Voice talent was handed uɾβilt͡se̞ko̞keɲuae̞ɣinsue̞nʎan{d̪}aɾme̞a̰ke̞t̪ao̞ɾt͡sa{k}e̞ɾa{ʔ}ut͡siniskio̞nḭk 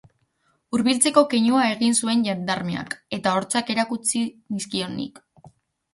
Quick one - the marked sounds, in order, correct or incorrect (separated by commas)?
correct, correct, incorrect